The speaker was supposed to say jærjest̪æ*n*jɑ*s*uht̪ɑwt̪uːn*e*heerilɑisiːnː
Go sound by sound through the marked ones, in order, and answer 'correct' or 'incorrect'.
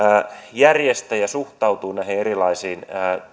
incorrect: none, correct, incorrect: æ

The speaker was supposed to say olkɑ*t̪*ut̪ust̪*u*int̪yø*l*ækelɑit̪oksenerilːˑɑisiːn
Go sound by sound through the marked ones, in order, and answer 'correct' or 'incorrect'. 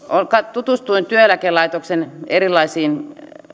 correct, correct, correct

